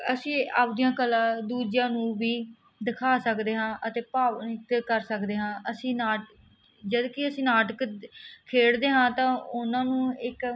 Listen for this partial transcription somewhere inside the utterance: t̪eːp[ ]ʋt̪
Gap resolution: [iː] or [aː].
aː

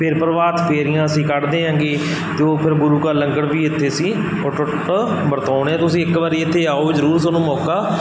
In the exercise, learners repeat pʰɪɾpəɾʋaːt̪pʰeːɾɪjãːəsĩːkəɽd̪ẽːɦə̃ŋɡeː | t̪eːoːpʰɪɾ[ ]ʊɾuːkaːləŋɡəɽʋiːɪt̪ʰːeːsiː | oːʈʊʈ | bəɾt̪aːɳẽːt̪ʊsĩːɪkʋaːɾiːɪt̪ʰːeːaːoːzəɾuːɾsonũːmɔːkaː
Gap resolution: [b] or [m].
b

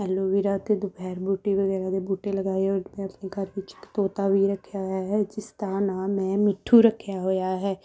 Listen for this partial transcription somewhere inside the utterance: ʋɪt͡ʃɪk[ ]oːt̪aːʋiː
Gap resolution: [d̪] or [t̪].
t̪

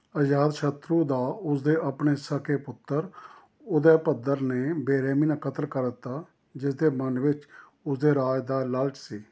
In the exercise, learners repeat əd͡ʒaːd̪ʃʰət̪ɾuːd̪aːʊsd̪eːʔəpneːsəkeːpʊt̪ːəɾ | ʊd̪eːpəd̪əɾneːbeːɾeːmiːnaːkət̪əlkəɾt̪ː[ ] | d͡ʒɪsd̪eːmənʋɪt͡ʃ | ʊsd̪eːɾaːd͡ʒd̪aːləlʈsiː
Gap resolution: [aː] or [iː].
aː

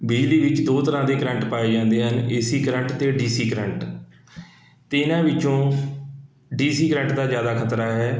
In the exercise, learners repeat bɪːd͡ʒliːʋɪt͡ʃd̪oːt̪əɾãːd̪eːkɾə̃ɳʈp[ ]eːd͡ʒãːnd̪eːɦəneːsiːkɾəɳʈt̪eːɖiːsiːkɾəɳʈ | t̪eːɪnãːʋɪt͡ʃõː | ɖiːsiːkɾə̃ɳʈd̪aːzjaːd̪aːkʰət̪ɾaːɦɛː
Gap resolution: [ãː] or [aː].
aː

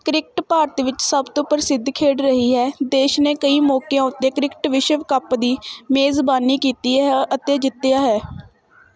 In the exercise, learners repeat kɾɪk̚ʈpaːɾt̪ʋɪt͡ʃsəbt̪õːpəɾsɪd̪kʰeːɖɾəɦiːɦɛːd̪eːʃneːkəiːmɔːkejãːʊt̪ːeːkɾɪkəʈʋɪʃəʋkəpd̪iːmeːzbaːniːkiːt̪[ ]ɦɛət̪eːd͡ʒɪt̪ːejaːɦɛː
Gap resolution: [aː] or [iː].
iː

